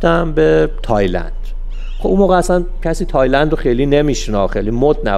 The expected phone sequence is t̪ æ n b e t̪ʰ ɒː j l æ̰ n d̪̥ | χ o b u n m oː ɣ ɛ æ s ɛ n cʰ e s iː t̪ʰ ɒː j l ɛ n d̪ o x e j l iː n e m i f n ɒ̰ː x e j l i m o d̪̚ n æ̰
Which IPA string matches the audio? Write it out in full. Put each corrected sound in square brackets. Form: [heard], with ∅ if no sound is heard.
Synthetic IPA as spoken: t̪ æ [m] b e t̪ʰ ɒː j l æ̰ n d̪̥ | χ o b u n m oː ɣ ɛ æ s [æ] n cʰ [æ] s iː t̪ʰ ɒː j l [æ] n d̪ o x e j l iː n e m i [ʃ] n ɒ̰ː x e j l i m o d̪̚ n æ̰